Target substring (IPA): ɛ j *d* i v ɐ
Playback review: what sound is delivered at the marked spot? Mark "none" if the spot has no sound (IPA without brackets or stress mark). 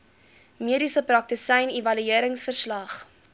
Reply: n